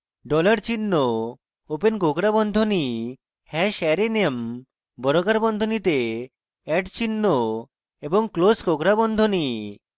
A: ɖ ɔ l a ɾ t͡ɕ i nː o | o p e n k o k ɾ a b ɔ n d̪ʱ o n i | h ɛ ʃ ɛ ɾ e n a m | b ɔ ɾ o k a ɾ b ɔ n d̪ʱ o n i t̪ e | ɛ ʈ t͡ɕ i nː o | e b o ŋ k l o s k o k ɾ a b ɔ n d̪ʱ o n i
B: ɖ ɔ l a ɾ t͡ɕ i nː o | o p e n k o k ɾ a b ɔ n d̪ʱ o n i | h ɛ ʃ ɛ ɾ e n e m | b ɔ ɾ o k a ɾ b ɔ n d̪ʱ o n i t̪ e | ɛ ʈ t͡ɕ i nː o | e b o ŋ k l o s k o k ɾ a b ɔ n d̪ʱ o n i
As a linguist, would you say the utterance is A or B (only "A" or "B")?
B